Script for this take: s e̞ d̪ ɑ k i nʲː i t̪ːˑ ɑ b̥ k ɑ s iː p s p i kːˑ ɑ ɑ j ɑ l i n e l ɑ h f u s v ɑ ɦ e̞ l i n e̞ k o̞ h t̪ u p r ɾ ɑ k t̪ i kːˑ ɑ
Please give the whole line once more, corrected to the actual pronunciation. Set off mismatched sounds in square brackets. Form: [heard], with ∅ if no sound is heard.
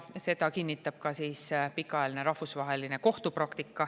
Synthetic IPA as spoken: s e̞ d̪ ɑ k i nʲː i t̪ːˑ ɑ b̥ k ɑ s iː [∅] s p i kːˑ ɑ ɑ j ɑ l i n e [ɾ] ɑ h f u s v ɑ ɦ e̞ l i n e̞ k o̞ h t̪ u p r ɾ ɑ k t̪ i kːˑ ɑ